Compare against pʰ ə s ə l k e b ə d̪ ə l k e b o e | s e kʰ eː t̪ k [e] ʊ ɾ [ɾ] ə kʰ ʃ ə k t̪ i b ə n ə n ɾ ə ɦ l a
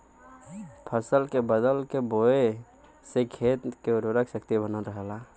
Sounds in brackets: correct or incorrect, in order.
correct, correct

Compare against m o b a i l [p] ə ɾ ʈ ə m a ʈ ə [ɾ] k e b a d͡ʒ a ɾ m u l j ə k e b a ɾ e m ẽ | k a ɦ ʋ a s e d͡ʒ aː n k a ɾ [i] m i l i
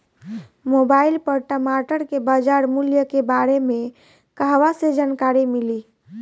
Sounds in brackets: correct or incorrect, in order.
correct, correct, correct

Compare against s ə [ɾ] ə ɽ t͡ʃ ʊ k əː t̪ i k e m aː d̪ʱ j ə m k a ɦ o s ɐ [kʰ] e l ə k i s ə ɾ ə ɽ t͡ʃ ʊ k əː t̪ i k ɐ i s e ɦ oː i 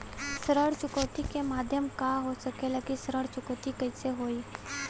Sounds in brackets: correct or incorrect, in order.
correct, incorrect

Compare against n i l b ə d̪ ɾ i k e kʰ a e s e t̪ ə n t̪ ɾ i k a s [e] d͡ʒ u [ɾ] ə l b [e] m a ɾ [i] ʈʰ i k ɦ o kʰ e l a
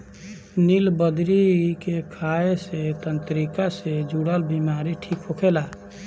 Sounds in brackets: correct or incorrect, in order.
correct, incorrect, incorrect, correct

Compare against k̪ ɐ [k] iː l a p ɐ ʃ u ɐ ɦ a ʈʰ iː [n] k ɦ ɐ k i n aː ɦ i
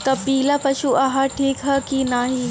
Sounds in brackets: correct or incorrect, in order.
incorrect, incorrect

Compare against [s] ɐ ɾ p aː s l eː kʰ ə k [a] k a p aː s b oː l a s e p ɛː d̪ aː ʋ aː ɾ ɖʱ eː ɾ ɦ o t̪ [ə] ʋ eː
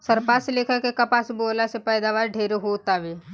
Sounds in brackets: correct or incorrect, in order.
correct, incorrect, incorrect

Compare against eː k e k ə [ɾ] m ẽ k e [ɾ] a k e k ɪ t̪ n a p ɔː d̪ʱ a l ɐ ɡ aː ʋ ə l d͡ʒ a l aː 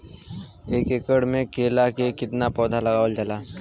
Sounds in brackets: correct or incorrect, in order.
incorrect, incorrect

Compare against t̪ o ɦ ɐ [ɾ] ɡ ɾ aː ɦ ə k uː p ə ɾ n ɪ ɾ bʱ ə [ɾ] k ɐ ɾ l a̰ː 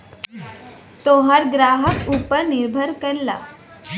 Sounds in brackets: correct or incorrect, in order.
correct, correct

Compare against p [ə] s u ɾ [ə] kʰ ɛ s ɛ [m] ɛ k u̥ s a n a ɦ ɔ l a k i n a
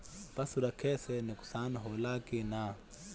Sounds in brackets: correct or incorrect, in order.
incorrect, incorrect, incorrect

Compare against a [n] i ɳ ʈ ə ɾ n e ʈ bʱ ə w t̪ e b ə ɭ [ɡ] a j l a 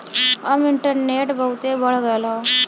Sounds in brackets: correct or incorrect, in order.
incorrect, correct

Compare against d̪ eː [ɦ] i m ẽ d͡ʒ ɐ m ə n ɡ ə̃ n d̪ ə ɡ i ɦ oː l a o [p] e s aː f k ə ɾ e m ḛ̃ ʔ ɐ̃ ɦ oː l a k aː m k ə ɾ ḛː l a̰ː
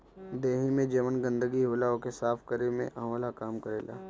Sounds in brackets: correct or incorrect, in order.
correct, incorrect

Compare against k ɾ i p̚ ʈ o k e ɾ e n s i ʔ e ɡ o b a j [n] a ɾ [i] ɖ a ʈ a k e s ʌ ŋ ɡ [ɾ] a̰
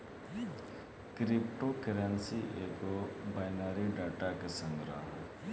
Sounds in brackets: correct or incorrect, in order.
correct, correct, correct

